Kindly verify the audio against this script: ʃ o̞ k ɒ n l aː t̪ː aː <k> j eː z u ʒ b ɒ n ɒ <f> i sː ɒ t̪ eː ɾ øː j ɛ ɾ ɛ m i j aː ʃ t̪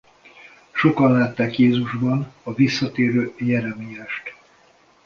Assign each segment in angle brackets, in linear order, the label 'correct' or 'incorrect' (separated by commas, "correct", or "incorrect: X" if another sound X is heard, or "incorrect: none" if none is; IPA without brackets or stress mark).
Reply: correct, incorrect: v